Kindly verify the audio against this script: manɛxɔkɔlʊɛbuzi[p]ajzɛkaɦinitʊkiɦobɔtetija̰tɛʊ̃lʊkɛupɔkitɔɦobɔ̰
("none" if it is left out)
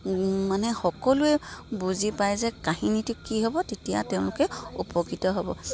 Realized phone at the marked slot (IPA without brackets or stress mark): p